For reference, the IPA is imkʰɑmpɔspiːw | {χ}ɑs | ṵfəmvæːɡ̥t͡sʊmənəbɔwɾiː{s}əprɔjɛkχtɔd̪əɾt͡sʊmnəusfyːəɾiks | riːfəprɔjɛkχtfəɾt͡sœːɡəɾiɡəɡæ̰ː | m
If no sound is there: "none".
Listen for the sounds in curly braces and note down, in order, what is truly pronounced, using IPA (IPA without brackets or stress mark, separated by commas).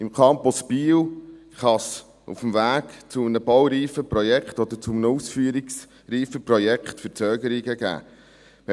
χ, f